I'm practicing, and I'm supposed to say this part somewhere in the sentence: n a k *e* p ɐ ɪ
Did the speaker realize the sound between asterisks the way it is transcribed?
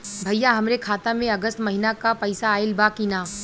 no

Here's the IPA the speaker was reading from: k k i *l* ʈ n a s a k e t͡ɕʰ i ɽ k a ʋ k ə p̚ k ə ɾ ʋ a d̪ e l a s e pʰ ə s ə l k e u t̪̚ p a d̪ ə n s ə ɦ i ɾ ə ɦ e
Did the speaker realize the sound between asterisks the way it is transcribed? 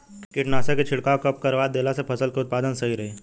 no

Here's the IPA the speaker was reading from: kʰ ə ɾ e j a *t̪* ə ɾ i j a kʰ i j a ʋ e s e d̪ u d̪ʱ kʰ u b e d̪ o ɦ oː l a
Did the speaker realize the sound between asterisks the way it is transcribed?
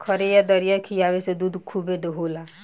no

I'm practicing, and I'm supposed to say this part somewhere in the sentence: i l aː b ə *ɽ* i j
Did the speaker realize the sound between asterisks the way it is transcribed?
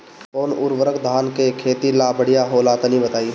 yes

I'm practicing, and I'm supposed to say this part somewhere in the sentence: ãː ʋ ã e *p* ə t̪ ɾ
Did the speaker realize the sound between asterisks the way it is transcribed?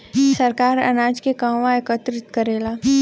no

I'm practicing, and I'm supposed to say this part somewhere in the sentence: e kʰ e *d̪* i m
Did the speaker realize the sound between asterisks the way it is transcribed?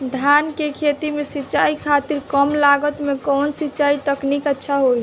no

